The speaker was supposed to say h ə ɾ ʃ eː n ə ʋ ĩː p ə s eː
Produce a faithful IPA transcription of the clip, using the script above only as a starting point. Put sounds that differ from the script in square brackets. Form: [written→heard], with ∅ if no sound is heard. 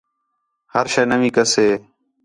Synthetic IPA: h ə ɾ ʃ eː n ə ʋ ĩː [p→k] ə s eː